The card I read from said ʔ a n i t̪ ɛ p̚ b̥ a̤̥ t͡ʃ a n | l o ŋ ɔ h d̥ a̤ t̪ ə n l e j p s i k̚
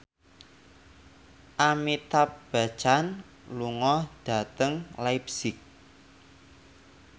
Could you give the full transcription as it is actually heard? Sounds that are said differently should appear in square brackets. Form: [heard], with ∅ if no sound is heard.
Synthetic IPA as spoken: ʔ a [m] i t̪ [a] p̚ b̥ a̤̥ t͡ʃ a n | l [u] ŋ ɔ h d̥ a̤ t̪ ə [ŋ] l [a] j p s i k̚